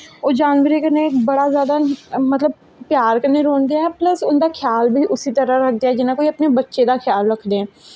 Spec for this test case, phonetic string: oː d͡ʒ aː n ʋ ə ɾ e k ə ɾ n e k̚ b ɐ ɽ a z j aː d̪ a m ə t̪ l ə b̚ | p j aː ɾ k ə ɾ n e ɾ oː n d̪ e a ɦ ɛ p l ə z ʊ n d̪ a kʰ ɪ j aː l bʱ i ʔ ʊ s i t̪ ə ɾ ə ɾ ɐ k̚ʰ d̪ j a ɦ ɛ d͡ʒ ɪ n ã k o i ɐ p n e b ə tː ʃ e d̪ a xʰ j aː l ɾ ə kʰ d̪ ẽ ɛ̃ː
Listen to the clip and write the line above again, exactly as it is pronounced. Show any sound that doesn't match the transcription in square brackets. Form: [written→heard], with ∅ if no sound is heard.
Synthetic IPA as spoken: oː d͡ʒ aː n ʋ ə ɾ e k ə ɾ n e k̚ b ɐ ɽ a z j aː d̪ a m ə t̪ l ə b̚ | p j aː ɾ k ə ɾ n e ɾ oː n d̪ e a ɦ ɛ p l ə [z→s] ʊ n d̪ a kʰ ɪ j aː l bʱ i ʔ ʊ s i t̪ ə ɾ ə ɾ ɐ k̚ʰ d̪ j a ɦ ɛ d͡ʒ ɪ n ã k o i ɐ p n e b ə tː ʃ e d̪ a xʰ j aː l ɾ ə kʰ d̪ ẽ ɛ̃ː